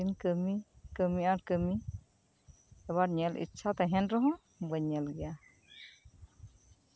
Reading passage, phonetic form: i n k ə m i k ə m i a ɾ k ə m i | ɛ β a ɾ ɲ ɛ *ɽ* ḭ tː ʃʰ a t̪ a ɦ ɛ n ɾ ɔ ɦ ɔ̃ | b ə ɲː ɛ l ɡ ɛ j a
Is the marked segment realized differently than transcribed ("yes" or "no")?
yes